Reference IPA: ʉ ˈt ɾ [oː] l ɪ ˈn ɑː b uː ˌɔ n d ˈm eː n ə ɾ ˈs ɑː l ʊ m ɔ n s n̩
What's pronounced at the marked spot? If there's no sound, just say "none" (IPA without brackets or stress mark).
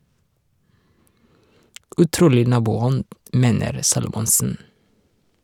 uː